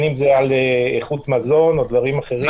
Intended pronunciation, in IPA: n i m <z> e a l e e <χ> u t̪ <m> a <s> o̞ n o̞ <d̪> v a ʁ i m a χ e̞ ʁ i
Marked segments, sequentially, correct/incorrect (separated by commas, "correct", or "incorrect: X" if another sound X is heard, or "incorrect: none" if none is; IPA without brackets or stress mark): correct, correct, correct, incorrect: z, correct